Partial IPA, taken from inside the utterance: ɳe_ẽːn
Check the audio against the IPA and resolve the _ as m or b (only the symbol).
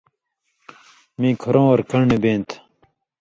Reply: b